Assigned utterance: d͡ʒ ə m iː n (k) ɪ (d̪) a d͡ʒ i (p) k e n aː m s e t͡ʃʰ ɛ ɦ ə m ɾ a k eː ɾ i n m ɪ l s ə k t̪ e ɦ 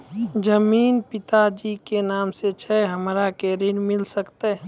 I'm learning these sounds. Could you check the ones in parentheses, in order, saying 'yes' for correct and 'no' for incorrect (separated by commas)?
no, no, no